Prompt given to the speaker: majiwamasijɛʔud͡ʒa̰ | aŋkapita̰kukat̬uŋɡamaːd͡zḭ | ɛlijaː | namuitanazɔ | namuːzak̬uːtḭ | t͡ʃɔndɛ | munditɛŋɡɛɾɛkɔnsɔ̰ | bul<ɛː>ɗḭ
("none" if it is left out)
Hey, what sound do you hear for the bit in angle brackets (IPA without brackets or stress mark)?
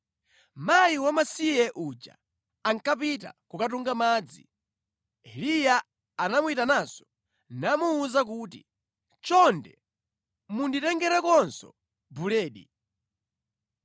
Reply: ɛː